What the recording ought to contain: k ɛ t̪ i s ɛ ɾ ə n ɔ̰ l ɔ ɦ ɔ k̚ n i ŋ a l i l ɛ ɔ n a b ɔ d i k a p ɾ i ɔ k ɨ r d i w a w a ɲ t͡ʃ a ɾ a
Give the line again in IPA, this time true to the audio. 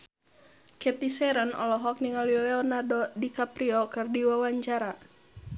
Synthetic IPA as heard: k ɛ t̪ i s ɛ ɾ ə n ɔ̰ l ɔ ɦ ɔ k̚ n i ŋ a l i l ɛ ɔ n a d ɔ d i k a p ɾ i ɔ k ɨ r d i w a w a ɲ t͡ʃ a ɾ a